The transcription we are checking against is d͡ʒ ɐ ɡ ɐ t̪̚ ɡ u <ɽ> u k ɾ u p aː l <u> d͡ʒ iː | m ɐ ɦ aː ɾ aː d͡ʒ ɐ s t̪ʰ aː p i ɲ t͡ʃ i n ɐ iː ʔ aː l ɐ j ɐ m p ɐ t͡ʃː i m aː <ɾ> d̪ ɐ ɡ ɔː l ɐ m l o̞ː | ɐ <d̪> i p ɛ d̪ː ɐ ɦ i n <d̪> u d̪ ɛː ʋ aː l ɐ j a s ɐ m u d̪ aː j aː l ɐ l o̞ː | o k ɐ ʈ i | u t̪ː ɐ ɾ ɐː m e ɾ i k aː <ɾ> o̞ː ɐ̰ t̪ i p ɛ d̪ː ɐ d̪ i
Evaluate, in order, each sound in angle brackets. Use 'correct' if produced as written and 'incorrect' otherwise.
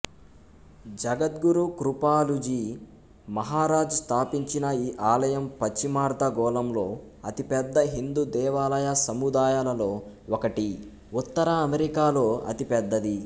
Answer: incorrect: ɾ, correct, correct, incorrect: t̪, correct, incorrect: l

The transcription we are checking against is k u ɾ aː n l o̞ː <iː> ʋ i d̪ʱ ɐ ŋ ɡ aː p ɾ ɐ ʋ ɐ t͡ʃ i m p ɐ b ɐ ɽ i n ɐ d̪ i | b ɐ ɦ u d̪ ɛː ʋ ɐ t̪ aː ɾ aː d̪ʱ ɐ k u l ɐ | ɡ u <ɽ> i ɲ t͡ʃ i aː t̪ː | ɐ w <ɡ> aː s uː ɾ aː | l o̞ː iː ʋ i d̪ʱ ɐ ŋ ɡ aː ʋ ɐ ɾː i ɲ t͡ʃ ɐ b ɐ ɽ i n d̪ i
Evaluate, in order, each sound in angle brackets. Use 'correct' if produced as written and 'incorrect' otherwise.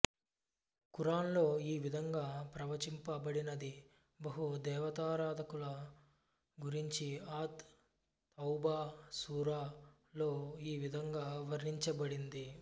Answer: correct, incorrect: ɾ, incorrect: b

